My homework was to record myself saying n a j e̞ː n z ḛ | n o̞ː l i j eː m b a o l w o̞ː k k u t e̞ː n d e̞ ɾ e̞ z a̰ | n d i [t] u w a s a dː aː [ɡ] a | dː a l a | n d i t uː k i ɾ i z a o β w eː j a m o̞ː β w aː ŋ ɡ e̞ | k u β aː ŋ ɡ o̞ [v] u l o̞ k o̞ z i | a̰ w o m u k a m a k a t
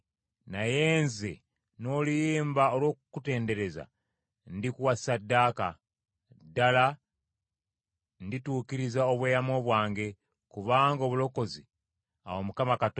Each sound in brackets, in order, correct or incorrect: incorrect: k, incorrect: k, incorrect: β

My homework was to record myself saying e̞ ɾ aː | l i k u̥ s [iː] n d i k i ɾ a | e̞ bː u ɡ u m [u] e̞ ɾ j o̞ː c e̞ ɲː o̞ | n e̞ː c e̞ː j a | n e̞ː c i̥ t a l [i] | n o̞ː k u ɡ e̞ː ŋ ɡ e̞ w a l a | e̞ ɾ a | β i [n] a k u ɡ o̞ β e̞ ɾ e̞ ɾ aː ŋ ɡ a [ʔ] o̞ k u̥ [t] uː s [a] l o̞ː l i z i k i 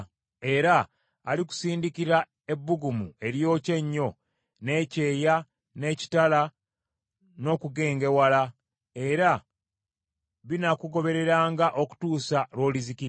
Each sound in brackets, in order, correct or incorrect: correct, correct, incorrect: a, correct, correct, correct, correct

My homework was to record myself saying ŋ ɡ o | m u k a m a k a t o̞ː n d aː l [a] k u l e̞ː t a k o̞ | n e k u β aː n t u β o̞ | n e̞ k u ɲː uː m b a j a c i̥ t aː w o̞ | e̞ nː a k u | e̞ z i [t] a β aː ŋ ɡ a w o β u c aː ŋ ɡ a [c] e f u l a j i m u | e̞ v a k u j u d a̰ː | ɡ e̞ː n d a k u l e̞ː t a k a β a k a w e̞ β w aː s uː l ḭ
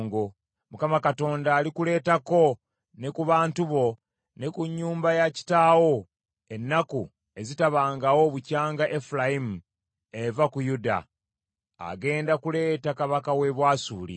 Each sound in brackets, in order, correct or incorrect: incorrect: i, correct, incorrect: ʔ

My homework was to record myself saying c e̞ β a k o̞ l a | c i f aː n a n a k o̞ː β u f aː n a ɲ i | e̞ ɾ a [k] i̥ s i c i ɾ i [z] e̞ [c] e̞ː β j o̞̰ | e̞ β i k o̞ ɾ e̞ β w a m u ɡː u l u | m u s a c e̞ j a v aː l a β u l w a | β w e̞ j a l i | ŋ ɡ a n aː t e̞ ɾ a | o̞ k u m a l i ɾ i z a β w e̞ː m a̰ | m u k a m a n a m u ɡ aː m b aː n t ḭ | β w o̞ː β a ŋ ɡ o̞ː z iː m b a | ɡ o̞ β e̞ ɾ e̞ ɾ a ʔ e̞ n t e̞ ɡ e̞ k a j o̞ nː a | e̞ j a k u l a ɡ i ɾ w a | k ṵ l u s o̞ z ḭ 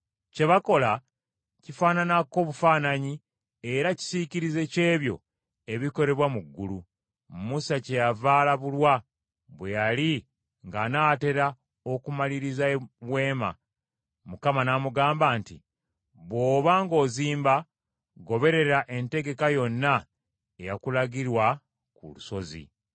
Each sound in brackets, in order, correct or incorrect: incorrect: c, correct, correct

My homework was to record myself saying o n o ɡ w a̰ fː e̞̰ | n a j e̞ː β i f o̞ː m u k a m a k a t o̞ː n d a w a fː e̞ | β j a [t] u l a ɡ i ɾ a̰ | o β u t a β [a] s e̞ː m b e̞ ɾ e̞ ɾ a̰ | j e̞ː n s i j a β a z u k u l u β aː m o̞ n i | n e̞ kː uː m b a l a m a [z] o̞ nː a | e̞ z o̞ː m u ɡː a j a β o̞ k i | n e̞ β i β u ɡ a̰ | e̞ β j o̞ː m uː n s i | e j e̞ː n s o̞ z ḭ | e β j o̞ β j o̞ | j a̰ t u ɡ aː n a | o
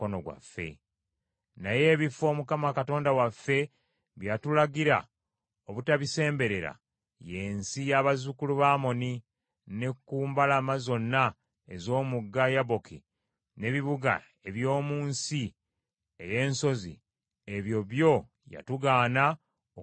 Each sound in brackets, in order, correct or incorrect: correct, incorrect: i, correct

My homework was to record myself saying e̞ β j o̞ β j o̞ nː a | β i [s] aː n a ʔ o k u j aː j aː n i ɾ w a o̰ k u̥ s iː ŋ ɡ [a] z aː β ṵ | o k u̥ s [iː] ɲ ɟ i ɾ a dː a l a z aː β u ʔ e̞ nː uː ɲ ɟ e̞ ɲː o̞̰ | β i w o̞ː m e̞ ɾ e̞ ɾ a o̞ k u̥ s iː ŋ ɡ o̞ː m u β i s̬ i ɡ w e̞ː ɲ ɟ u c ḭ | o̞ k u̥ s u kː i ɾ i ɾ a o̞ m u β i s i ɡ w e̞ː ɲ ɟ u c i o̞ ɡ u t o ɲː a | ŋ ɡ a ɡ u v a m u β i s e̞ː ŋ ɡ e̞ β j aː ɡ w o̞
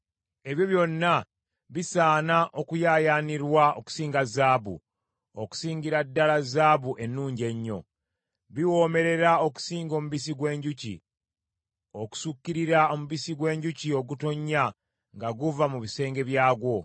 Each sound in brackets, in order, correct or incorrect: correct, correct, correct

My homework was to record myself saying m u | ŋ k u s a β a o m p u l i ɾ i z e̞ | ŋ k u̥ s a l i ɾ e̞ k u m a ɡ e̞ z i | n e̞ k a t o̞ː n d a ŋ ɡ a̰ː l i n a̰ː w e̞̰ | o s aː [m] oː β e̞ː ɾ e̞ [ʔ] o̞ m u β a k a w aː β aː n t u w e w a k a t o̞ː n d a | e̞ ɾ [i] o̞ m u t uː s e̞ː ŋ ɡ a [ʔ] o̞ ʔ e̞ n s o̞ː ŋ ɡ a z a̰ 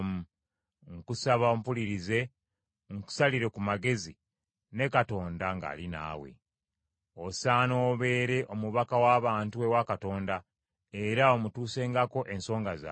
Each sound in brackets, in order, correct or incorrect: incorrect: n, correct, incorrect: a, incorrect: k

